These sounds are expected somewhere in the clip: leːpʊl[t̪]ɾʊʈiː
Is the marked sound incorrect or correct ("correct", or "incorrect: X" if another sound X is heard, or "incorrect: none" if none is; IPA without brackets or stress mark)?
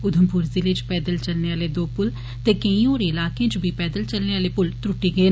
correct